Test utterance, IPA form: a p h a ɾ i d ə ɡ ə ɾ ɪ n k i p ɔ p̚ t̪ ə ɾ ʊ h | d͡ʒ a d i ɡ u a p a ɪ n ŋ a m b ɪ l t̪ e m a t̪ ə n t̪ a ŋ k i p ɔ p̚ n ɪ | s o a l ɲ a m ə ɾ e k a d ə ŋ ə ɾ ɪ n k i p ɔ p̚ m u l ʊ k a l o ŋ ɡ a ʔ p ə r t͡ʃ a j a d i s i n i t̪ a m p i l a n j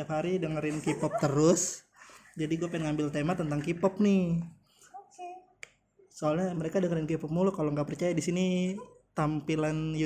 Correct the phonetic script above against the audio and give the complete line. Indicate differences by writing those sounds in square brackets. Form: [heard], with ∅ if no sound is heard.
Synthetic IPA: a p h a ɾ i d ə [ŋ] ə ɾ ɪ n k i p ɔ p̚ t̪ ə ɾ ʊ [s] | d͡ʒ a d i ɡ u a p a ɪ n ŋ a m b ɪ l t̪ e m a t̪ ə n t̪ a ŋ k i p ɔ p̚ n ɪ | s o a l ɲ a m ə ɾ e k a d ə ŋ ə ɾ ɪ n k i p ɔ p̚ m u l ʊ k a l o ŋ ɡ a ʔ p ə r t͡ʃ a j a d i s i n i t̪ a m p i l a n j